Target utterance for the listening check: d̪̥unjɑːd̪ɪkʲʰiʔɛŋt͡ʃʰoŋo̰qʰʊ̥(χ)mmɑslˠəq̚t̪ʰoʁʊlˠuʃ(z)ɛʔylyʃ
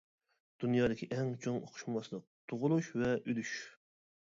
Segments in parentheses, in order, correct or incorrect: incorrect, incorrect

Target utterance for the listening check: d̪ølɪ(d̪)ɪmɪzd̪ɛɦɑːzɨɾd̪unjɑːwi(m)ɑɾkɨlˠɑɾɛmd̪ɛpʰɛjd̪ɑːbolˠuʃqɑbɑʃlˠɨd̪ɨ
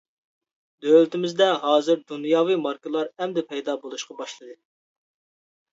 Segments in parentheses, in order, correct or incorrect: incorrect, correct

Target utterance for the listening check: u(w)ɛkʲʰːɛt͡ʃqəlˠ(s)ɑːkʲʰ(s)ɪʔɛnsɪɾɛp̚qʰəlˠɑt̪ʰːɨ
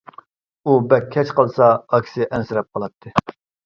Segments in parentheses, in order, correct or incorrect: incorrect, correct, correct

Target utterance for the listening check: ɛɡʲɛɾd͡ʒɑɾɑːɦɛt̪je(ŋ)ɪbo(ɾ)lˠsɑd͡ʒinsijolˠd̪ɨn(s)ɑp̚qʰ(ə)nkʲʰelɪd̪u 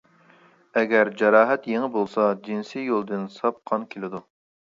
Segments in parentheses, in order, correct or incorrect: correct, incorrect, correct, incorrect

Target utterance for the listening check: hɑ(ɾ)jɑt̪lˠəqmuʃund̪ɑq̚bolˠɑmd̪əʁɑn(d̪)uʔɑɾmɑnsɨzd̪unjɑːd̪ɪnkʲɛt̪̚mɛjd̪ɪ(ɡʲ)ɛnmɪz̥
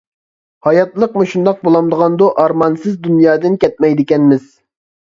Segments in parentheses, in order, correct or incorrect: incorrect, correct, incorrect

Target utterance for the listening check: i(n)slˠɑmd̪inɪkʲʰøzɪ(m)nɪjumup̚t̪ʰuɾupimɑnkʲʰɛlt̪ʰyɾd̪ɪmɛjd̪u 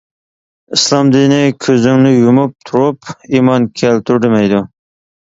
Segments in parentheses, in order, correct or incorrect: incorrect, incorrect

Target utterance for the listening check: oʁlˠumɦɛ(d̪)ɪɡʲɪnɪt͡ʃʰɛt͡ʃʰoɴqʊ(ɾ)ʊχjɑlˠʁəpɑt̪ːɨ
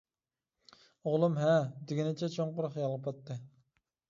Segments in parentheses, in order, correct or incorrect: correct, correct

